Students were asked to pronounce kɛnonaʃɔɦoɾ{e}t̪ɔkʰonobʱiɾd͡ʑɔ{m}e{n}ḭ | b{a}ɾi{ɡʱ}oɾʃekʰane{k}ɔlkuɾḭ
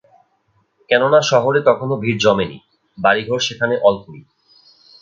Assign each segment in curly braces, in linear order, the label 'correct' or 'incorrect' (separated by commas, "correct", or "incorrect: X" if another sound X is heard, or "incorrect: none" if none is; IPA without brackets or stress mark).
correct, correct, correct, correct, correct, incorrect: ʔ